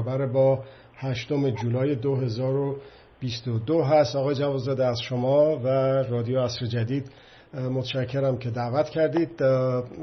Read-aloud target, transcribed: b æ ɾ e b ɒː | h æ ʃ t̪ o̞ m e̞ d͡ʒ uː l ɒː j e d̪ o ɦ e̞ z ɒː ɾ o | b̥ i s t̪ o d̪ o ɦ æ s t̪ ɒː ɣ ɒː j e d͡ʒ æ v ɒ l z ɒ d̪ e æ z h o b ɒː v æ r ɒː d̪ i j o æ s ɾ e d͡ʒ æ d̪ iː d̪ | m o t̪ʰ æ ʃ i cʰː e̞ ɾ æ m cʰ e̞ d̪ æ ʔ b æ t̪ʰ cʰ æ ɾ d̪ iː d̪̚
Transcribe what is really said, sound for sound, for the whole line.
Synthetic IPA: b æ ɾ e b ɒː | h æ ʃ t̪ o̞ m e̞ d͡ʒ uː l ɒː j e d̪ o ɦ e̞ z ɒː ɾ o | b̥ i s t̪ o d̪ o ɦ æ s t̪ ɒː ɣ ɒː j e d͡ʒ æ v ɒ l z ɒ d̪ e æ z ʃ o m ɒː v æ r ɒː d̪ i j o æ s ɾ e d͡ʒ æ d̪ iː d̪ | m o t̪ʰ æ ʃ æ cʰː e̞ ɾ æ m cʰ e̞ d̪ æ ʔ v æ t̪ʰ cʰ æ ɾ d̪ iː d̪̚